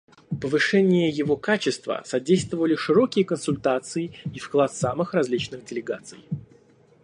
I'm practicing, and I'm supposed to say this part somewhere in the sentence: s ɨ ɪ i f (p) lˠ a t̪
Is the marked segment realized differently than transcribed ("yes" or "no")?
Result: yes